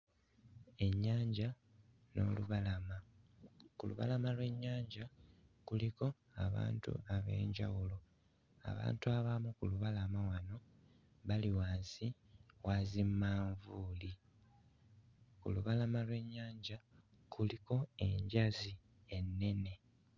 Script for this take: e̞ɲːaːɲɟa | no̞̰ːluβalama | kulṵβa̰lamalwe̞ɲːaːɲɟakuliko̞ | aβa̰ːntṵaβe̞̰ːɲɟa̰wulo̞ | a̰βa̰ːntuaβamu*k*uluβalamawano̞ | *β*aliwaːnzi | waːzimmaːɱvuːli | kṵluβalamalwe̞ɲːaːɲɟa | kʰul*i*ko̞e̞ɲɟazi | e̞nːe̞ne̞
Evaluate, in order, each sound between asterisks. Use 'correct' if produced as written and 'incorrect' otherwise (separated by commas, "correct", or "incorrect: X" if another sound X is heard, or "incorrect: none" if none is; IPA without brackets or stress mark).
correct, correct, correct